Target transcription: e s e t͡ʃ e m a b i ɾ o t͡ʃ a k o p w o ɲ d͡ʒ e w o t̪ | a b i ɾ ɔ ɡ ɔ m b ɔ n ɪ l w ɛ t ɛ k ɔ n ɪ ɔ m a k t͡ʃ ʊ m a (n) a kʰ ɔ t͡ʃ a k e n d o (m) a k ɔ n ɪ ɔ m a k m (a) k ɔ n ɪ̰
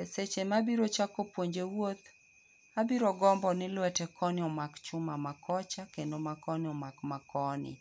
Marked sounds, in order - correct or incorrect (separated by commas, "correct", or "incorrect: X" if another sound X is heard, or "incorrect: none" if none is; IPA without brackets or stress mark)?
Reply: incorrect: m, correct, correct